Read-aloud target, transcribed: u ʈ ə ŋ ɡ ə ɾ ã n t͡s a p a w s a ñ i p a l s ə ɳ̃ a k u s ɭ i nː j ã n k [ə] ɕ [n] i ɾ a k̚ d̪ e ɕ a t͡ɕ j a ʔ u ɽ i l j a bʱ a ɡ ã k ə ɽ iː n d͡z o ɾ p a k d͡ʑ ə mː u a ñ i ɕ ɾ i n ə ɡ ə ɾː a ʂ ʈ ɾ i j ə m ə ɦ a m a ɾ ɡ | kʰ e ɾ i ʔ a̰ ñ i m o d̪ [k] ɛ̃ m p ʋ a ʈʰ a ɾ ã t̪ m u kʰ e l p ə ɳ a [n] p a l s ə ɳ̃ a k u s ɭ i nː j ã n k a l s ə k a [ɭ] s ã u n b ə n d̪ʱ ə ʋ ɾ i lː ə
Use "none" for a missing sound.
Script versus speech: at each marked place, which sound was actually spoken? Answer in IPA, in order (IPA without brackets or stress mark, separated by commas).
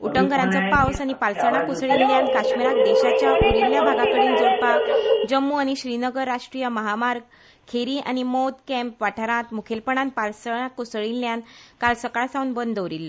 a, m, k, n, ɭ